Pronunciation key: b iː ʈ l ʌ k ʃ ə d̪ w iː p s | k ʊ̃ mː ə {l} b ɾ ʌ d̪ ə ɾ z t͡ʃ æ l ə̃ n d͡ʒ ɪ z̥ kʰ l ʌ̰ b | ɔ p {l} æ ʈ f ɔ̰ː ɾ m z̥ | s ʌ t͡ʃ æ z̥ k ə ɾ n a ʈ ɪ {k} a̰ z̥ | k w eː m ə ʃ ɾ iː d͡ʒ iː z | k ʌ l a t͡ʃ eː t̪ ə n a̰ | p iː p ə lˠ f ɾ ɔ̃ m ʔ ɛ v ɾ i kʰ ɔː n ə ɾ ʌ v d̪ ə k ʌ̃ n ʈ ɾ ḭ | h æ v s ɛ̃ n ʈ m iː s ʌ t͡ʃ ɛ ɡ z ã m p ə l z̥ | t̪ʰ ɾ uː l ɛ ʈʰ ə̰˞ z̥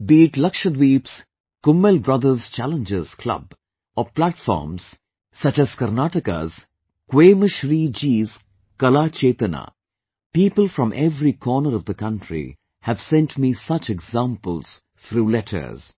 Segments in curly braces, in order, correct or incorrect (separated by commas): correct, correct, correct